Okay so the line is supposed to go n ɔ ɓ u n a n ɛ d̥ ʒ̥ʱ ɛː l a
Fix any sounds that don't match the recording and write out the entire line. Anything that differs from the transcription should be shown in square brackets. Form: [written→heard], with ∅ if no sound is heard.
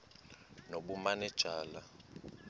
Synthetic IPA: n [ɔ→o] ɓ u [n→m] a n ɛ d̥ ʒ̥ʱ [ɛː→aː] l a